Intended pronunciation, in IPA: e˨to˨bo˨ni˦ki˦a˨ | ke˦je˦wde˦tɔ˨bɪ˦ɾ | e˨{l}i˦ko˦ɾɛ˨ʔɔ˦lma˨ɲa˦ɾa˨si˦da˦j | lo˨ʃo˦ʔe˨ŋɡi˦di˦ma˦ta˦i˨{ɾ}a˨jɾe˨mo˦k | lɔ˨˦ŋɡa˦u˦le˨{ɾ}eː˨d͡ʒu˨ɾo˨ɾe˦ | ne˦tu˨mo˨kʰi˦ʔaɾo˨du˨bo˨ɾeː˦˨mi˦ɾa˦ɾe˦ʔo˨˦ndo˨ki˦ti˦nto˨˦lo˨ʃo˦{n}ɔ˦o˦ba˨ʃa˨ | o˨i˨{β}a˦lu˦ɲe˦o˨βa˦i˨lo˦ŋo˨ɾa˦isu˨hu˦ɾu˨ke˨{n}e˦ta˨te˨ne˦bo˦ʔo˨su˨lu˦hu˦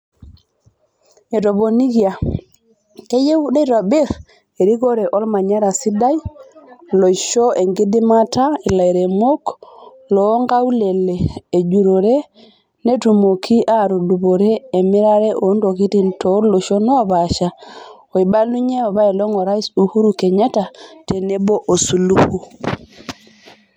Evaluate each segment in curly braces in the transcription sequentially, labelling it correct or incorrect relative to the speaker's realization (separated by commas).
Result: incorrect, incorrect, incorrect, correct, incorrect, incorrect